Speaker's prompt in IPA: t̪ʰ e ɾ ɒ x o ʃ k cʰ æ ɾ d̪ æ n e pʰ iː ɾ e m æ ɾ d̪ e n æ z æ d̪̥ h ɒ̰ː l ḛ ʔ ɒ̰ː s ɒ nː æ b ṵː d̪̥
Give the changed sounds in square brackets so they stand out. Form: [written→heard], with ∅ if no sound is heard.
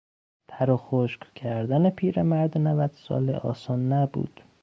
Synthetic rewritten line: t̪ʰ [e→æ] ɾ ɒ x o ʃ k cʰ æ ɾ d̪ æ n e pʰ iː ɾ e m æ ɾ d̪ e n æ [z→v] æ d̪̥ [h→s] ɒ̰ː l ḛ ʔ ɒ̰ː s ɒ nː æ b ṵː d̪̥